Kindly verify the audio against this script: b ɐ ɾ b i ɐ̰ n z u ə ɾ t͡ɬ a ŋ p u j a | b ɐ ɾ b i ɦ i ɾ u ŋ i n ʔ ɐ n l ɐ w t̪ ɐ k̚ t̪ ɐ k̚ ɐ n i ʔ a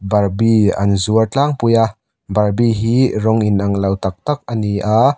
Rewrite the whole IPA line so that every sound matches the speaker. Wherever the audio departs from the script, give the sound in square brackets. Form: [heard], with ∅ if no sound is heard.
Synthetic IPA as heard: b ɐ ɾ b i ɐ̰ n z u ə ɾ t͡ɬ a ŋ p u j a | b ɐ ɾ b i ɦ i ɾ [ɔ] ŋ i n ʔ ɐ [ŋ] l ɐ w t̪ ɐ k̚ t̪ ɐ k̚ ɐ n i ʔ a